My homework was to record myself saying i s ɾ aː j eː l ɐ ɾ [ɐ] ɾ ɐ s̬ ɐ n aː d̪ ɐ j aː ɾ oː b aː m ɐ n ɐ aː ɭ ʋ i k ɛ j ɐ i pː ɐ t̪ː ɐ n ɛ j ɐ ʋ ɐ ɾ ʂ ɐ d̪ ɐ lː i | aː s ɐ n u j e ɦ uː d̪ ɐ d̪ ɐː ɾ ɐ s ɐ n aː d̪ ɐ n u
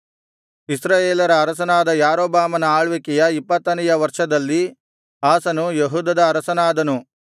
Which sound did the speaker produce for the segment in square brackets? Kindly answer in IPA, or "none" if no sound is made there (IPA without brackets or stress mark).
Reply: ɐː